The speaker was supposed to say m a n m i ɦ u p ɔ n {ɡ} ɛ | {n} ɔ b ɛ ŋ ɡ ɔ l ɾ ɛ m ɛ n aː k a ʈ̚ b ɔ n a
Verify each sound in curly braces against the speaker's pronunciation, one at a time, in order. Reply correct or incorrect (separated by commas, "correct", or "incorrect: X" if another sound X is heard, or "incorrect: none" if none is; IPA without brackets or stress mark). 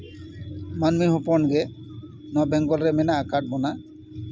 correct, correct